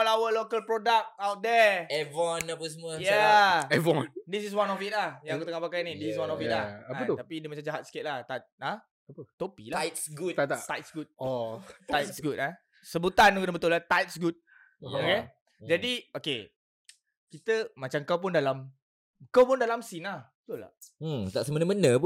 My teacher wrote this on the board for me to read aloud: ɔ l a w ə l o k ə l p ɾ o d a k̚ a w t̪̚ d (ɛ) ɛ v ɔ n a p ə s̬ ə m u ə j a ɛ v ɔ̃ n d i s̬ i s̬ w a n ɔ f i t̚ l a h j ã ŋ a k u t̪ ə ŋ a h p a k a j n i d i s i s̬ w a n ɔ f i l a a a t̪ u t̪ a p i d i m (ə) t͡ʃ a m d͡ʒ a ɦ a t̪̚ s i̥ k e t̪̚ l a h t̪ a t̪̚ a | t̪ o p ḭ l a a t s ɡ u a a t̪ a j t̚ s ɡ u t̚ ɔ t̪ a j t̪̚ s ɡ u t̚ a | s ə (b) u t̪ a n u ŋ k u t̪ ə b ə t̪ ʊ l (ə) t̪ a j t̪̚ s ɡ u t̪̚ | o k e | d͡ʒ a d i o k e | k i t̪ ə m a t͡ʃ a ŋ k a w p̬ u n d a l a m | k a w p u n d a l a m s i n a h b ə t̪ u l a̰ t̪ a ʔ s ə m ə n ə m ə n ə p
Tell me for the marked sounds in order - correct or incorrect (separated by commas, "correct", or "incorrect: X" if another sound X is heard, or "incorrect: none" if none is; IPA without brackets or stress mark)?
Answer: correct, incorrect: a, correct, incorrect: a